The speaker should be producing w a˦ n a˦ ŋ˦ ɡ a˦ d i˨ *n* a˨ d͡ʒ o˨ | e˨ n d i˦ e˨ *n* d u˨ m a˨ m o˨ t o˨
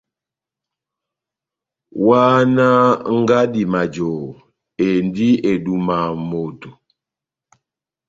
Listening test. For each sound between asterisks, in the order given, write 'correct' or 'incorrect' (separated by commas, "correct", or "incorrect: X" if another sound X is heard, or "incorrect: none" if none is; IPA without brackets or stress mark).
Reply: incorrect: m, incorrect: none